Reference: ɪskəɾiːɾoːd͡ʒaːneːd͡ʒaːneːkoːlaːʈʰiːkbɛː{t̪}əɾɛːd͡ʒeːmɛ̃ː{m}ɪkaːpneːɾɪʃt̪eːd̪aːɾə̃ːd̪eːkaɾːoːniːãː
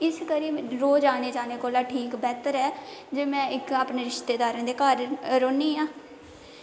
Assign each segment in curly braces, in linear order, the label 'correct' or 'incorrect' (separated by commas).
correct, incorrect